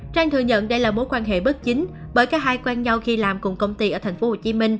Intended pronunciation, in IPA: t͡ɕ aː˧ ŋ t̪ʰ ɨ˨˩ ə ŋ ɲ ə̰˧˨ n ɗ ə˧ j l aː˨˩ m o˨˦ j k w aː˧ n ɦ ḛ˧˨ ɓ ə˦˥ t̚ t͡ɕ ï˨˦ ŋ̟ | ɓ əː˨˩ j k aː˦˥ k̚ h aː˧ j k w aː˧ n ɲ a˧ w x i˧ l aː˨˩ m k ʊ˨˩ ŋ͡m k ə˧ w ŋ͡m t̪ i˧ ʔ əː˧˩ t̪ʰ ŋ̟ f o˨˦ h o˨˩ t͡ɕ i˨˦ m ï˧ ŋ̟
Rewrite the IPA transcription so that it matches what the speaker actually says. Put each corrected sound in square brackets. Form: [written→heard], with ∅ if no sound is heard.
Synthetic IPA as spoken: t͡ɕ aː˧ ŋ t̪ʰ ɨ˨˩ ə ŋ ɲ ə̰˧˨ n ɗ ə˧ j l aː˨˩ m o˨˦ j k w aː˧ n ɦ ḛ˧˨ ɓ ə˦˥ t̚ t͡ɕ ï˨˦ ŋ̟ | ɓ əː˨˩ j k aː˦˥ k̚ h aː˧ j k w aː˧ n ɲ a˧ w x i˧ l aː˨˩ m k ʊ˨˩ ŋ͡m k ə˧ w ŋ͡m t̪ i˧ ʔ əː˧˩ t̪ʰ ŋ̟ f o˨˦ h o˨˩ t͡ɕ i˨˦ m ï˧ ŋ̟